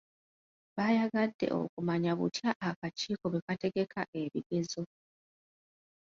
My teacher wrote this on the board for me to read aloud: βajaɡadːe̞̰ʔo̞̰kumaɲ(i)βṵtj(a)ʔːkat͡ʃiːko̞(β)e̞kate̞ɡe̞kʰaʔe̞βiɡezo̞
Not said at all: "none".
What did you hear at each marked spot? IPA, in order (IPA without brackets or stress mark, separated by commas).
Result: a, a, β